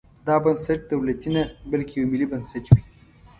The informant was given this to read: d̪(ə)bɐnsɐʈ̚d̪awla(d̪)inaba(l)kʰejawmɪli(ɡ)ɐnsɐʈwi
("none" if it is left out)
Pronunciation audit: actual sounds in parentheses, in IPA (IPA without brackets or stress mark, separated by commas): ɑ, t̪, l, b